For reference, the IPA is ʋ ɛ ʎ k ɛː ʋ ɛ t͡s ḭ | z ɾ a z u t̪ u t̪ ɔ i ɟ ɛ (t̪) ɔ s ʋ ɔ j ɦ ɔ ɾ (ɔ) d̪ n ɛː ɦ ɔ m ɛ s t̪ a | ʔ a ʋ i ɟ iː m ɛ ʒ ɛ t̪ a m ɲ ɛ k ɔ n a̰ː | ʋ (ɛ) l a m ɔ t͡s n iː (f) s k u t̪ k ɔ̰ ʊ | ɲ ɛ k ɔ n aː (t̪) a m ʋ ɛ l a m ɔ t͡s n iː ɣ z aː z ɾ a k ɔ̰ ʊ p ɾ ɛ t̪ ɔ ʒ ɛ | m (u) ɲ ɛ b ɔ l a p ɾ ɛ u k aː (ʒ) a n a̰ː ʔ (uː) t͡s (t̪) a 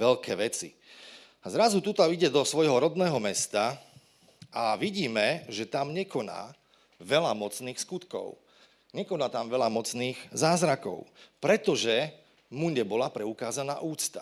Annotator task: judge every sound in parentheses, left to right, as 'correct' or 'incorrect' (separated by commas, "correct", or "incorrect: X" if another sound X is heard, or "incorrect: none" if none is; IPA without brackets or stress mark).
incorrect: d̪, correct, correct, incorrect: x, correct, correct, incorrect: z, correct, correct